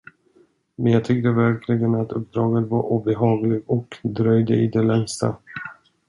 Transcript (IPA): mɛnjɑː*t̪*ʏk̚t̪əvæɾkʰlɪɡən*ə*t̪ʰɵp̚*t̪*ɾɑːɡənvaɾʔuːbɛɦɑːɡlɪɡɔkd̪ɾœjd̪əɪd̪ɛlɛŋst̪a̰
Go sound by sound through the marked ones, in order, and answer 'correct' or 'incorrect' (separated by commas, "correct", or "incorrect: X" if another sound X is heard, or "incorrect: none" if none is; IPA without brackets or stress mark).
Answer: incorrect: t̪ʰ, incorrect: a, incorrect: d̪